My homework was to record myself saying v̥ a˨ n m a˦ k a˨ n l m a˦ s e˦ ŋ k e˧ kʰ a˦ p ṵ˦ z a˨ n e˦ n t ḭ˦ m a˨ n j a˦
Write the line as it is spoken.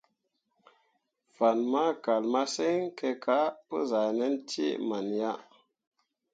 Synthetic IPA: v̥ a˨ n m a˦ k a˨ l m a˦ s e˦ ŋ k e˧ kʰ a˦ p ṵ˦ z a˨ n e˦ n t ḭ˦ m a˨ n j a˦